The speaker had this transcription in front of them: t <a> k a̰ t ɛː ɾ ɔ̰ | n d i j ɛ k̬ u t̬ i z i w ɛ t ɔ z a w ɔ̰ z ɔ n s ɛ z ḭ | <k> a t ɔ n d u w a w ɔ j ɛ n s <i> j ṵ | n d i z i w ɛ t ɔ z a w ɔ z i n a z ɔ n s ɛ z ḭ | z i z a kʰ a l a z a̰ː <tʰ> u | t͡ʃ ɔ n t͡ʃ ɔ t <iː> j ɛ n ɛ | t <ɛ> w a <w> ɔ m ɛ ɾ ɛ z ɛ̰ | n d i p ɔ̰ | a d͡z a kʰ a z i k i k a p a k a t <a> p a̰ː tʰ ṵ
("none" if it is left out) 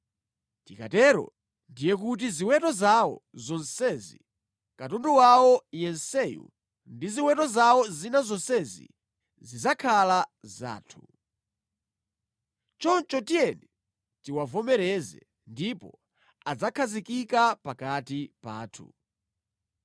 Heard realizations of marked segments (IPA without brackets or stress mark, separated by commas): i, k, ɛ, tʰ, i, i, v, i